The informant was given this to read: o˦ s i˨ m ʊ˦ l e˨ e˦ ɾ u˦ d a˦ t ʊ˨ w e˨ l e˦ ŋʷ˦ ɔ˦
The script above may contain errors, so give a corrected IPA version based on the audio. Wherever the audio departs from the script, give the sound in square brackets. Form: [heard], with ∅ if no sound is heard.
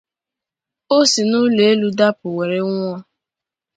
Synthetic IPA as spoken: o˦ s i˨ [n] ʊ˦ l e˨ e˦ [l] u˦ d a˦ [p] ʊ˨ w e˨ [ɾ] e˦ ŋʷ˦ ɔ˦